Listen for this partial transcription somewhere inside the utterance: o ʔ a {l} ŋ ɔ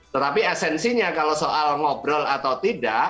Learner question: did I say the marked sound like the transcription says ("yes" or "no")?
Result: yes